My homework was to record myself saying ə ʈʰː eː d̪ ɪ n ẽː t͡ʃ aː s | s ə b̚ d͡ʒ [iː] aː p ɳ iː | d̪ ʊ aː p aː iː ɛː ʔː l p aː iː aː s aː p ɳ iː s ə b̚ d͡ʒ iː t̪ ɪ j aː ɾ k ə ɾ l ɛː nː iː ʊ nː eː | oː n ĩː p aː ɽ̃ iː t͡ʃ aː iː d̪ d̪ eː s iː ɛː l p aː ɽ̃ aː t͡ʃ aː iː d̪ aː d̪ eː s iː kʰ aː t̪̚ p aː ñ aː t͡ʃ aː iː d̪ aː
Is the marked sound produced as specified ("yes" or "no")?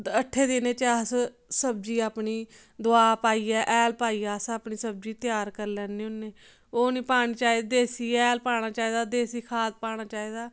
yes